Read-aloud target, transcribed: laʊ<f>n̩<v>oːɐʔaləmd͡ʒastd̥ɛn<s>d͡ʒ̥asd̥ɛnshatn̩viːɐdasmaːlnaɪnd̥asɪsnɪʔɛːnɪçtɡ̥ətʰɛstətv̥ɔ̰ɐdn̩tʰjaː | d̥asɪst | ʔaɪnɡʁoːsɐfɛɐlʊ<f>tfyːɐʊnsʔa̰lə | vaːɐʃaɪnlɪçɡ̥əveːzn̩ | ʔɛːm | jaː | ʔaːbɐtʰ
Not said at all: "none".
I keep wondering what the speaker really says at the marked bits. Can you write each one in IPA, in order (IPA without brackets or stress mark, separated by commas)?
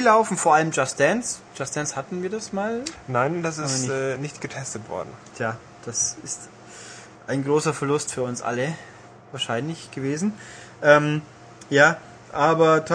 f, f, s, s